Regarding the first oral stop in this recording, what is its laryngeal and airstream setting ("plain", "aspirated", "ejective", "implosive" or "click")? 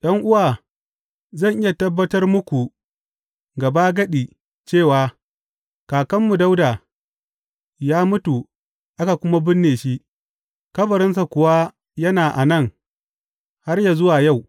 implosive